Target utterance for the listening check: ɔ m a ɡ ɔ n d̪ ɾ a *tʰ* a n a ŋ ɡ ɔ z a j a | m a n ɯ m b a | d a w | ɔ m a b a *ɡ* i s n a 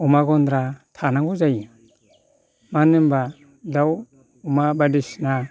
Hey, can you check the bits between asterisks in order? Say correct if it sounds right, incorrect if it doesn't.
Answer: correct, incorrect

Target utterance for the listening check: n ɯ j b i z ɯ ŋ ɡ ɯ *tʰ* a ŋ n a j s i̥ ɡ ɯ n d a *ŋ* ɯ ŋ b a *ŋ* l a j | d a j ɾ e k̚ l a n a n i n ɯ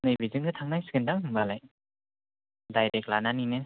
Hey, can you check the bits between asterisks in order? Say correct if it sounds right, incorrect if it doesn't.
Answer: correct, correct, incorrect

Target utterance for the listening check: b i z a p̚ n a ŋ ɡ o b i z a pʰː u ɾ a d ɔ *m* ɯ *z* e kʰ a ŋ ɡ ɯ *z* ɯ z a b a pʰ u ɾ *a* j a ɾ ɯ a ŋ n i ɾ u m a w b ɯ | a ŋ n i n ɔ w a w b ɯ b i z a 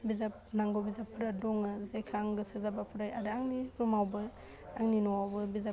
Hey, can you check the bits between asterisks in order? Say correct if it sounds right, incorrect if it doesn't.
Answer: incorrect, correct, incorrect, correct

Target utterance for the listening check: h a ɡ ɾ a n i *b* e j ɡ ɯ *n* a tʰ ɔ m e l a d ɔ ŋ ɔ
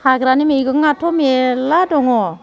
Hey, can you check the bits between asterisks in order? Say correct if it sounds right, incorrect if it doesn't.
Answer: incorrect, incorrect

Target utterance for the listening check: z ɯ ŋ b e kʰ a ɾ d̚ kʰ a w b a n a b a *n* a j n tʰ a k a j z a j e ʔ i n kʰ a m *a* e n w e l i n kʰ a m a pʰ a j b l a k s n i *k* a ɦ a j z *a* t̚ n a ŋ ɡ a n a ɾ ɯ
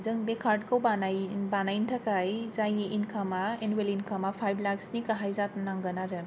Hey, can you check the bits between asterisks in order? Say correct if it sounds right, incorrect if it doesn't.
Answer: correct, correct, correct, correct

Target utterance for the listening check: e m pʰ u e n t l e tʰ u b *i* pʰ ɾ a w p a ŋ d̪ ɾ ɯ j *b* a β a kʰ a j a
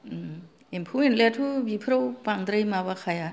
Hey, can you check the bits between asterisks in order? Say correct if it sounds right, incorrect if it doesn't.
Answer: correct, incorrect

